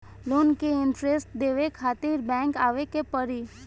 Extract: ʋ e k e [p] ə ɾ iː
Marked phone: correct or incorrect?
correct